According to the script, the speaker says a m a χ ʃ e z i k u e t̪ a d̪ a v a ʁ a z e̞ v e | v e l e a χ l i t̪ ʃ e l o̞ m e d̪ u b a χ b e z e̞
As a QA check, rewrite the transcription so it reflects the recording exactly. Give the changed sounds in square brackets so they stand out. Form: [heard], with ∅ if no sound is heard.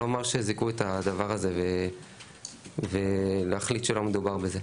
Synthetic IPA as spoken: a m a [ʁ] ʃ e z i k u e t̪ a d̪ a v a ʁ a z e̞ v e | v e l e a χ l i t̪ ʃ e l o̞ m e d̪ u b a [ʁ] b e z e̞